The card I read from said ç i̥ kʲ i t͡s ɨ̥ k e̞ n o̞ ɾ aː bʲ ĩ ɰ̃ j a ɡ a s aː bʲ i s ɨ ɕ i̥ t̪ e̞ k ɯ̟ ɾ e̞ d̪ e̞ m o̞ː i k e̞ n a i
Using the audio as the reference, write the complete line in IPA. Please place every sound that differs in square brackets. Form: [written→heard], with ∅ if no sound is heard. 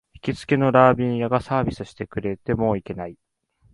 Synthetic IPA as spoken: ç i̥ kʲ i t͡s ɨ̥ k e̞ n o̞ ɾ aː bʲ ĩ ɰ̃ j a ɡ a s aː bʲ i s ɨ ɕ i̥ t̪ e̞ k ɯ̟ ɾ e̞ [d̪→t̪] e̞ m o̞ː i k e̞ n a i